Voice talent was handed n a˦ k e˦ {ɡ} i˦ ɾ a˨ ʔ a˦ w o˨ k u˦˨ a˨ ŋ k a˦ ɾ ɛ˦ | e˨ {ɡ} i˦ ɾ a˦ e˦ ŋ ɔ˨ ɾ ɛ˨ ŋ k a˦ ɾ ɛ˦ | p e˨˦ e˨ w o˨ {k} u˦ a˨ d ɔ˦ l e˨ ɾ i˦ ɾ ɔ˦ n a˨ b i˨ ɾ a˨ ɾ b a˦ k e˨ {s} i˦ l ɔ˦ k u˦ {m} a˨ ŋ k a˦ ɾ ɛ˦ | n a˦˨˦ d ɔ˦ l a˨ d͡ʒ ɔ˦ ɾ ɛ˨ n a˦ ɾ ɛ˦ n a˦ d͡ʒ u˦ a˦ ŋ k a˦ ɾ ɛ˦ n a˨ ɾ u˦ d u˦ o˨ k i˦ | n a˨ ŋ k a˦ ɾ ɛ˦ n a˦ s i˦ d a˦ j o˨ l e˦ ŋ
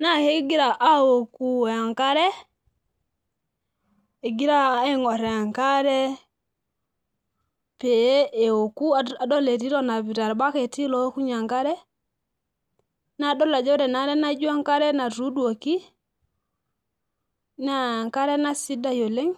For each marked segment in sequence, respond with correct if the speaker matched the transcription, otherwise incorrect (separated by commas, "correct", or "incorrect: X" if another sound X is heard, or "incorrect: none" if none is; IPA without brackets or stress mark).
correct, correct, correct, incorrect: t, incorrect: ɲ